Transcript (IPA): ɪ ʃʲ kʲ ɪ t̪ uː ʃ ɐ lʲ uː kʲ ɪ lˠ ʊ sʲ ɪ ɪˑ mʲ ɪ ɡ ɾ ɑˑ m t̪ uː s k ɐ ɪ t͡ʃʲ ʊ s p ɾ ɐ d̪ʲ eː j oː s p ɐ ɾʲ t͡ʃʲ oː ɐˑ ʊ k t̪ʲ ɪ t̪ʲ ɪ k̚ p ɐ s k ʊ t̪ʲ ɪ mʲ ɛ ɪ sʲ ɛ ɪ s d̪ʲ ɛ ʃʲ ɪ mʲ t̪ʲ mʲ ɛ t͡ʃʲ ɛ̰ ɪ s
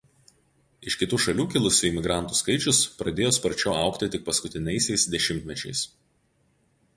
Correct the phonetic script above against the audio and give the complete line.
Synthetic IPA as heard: ɪ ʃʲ kʲ ɪ t̪ uː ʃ ɐ lʲ uː kʲ ɪ lˠ ʊ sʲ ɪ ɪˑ mʲ ɪ ɡ ɾ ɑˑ n t̪ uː s k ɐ ɪ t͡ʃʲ ʊ s p ɾ ɐ d̪ʲ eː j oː s p ɐ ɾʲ t͡ʃʲ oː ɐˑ ʊ k t̪ʲ ɪ t̪ʲ ɪ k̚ p ɐ s k ʊ t̪ʲ ɪ nʲ ɛ ɪ sʲ ɛ ɪ s d̪ʲ ɛ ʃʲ ɪ mʲ t̪ʲ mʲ ɛ t͡ʃʲ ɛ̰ ɪ s